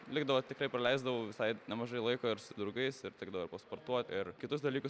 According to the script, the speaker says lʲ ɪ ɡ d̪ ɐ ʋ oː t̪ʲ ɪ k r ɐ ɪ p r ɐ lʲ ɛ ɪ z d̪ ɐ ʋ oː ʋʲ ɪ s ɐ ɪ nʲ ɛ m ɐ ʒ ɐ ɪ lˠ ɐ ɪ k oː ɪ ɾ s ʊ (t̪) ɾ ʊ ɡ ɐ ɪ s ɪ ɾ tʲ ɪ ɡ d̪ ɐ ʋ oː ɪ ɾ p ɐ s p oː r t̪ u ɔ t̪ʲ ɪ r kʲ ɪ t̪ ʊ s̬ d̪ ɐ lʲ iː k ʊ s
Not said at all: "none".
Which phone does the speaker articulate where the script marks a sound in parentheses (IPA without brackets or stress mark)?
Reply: d̪